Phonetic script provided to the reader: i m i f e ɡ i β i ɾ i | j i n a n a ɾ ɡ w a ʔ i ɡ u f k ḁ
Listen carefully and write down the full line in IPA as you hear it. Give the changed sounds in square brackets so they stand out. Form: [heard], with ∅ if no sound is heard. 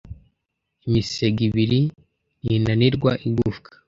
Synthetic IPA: i m i [s] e ɡ i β i ɾ i | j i n a n [i] ɾ ɡ w a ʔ i ɡ u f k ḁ